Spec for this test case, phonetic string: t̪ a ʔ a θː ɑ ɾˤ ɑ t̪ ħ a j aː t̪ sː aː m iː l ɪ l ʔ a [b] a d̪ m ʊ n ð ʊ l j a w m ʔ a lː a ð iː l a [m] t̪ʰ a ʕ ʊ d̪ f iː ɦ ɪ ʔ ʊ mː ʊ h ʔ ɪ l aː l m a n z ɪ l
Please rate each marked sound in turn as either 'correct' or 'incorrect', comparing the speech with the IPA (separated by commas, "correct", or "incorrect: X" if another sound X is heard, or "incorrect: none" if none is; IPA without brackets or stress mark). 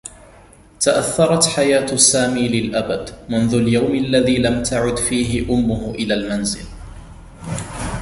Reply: correct, correct